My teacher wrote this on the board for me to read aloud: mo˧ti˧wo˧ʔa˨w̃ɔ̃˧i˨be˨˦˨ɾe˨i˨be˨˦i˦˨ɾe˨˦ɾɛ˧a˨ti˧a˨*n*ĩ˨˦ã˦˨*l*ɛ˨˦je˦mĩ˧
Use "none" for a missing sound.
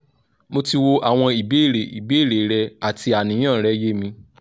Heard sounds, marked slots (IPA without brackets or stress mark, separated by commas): n, ɾ